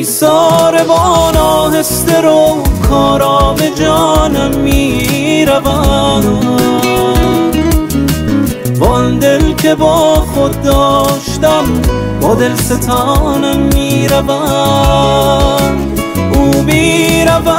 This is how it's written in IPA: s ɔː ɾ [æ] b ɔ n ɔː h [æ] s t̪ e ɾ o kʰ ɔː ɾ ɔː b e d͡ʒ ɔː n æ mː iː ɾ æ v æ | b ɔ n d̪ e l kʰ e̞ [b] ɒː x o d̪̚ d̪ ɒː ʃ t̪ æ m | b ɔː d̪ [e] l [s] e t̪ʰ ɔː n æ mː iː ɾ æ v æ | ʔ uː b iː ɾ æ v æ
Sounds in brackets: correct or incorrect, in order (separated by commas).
incorrect, incorrect, correct, correct, correct